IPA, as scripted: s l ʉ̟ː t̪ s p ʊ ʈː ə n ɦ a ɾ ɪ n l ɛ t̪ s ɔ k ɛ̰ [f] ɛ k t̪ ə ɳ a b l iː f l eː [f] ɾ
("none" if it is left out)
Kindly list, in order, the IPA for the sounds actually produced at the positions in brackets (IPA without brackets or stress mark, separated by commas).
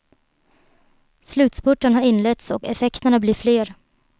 f, none